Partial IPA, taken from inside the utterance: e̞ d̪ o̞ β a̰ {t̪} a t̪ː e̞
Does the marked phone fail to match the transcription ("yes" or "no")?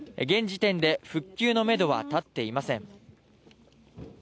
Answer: no